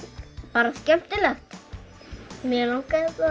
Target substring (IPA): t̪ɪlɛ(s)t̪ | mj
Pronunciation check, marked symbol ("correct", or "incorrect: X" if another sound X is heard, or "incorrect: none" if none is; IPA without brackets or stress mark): incorrect: x